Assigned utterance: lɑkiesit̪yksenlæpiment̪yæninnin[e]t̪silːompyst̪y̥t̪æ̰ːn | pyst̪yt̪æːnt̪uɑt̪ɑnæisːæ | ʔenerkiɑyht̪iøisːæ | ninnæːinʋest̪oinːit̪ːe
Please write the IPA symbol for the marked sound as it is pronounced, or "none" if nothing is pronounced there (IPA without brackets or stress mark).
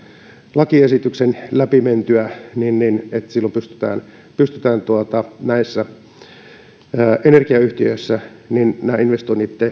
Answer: e